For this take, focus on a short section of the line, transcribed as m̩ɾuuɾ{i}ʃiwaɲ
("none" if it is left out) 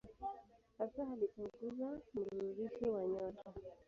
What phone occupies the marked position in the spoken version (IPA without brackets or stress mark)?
i